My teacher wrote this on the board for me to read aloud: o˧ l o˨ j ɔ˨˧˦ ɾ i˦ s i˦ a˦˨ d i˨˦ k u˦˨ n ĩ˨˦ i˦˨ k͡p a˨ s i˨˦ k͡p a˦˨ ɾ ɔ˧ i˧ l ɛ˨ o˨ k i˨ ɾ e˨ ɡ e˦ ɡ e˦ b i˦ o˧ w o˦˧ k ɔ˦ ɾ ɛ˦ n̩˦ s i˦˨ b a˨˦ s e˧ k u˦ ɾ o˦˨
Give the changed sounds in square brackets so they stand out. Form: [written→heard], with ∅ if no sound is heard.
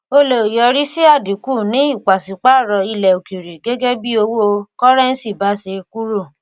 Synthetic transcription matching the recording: o˧ l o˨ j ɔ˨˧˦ ɾ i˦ s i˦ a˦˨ d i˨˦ k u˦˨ n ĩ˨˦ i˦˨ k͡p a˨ s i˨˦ k͡p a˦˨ ɾ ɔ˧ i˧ l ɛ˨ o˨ k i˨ ɾ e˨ ɡ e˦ ɡ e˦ b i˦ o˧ w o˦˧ k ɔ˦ ɾ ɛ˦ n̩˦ s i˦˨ b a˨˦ s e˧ k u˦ ɾ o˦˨